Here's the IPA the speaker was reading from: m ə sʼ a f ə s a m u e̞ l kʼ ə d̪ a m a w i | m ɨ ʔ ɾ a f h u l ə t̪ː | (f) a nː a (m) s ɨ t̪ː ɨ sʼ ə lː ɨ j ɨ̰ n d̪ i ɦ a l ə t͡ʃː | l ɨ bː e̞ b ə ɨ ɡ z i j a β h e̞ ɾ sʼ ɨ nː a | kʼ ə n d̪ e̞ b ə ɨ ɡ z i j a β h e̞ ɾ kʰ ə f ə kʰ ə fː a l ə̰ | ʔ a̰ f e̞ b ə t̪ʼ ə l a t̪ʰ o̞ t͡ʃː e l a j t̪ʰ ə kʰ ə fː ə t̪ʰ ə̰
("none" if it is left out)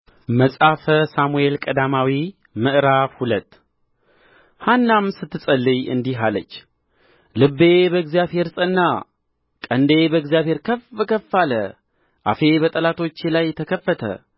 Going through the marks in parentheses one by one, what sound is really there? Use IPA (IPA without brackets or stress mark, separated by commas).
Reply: h, m